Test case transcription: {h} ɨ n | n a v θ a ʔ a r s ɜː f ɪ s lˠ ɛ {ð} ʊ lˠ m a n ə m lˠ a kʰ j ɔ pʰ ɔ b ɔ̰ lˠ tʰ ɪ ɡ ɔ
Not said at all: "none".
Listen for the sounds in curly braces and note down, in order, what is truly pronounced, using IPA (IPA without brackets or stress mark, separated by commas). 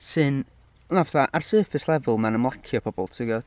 s, v